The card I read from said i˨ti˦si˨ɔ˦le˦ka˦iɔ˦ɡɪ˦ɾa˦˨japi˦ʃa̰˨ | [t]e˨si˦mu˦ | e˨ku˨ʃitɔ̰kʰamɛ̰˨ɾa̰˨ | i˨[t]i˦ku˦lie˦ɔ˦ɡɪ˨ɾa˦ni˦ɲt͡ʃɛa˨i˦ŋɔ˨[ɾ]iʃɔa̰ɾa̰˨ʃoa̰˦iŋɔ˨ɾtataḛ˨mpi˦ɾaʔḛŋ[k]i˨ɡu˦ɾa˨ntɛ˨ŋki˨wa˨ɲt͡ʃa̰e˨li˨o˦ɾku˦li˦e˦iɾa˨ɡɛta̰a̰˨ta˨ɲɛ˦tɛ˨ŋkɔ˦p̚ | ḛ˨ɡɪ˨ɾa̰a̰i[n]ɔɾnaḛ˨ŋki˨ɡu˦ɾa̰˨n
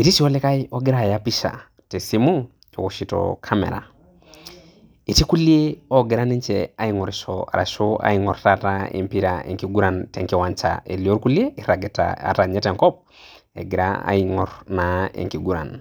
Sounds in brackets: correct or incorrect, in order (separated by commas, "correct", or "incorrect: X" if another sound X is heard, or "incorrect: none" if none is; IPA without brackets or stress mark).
correct, correct, correct, correct, incorrect: ŋ